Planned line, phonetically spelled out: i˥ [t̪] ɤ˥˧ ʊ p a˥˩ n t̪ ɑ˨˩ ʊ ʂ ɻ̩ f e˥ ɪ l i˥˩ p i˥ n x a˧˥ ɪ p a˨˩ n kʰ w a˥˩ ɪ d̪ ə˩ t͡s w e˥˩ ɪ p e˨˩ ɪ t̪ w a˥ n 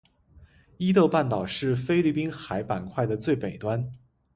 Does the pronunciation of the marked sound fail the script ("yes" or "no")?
no